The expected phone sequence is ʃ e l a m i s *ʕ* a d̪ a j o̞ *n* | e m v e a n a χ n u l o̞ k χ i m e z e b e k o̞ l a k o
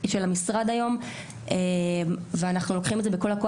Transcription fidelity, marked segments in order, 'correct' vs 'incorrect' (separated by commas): incorrect, incorrect